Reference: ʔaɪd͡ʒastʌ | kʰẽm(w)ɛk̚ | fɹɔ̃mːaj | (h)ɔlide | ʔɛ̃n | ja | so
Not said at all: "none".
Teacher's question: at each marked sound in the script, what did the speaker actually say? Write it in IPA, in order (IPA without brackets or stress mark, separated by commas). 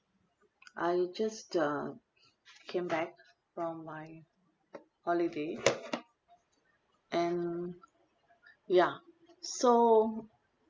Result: b, h